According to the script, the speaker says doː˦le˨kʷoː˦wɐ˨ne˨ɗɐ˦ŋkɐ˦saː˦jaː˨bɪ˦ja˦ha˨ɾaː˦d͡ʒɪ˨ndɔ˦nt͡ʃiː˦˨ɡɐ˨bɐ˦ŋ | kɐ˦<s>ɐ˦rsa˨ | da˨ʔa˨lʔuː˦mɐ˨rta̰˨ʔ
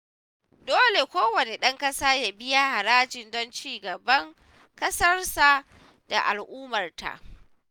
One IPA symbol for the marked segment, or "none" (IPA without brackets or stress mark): s